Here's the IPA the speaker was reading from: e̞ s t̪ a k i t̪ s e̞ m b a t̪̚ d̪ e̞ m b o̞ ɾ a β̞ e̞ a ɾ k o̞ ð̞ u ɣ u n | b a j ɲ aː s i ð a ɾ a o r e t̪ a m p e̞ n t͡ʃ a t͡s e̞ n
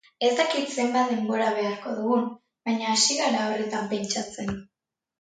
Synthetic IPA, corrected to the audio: e̞ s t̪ a k i t̪ s e̞ m b a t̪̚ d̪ e̞ m b o̞ ɾ a β̞ e̞ a ɾ k o̞ ð̞ u ɣ u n | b a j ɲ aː s i ɣ a ɾ a o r e t̪ a m p e̞ n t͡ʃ a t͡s e̞ n